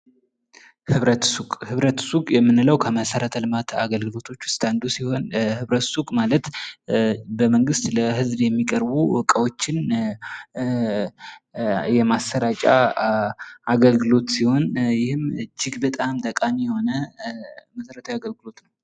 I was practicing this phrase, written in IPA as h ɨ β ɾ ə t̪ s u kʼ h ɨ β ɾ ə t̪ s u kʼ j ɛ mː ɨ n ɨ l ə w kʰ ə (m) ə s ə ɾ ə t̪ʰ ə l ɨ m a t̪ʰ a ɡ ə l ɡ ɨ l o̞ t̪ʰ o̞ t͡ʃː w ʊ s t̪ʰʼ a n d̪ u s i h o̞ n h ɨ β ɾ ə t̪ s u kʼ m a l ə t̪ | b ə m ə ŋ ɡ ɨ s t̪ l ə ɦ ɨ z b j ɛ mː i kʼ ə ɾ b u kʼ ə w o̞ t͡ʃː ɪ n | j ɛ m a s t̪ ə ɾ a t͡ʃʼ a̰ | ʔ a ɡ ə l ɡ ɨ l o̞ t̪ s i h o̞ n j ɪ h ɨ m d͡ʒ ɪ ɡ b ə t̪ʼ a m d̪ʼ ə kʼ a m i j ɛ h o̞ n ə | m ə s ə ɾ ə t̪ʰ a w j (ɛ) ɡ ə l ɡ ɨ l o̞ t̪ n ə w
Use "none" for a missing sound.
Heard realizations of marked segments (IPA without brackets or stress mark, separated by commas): m, a